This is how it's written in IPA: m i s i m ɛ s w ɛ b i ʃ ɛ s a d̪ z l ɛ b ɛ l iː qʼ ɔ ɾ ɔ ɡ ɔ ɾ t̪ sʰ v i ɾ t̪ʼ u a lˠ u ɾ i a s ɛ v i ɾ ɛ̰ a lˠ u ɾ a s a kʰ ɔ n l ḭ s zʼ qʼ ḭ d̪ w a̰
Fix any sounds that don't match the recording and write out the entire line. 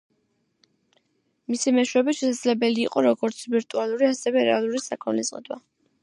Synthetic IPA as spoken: m i s i m ɛ ʃ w ɛ b i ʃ ɛ s a d̪ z l ɛ b ɛ l iː qʼ ɔ ɾ ɔ ɡ ɔ ɾ t̪ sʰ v i ɾ t̪ʼ u a lˠ u ɾ i a s ɛ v ɛ ɾ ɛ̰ a lˠ u ɾ i s a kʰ ɔ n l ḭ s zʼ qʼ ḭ d̪ w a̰